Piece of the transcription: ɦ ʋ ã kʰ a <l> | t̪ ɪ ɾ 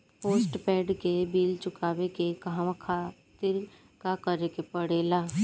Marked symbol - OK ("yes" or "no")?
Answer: no